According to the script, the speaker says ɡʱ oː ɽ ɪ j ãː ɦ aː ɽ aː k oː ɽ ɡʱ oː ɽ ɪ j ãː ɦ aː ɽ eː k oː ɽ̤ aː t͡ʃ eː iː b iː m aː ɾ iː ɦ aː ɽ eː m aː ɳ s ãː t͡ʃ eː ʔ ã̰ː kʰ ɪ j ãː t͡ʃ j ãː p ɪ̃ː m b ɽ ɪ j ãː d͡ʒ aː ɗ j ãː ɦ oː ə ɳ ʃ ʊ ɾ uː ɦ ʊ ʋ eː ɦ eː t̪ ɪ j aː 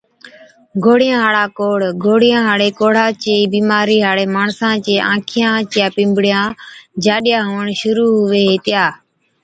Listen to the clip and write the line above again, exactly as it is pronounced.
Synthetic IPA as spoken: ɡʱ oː ɽ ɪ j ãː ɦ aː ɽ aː k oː ɽ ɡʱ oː ɽ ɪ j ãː ɦ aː ɽ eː k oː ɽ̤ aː t͡ʃ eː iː b iː m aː ɾ iː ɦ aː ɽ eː m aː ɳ s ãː t͡ʃ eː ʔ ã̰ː kʰ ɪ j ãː t͡ʃ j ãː p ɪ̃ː m b ɽ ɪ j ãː d͡ʒ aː ɗ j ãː ɦ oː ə ɳ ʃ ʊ ɾ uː ɦ ʊ ʋ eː ɦ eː t̪ ɪ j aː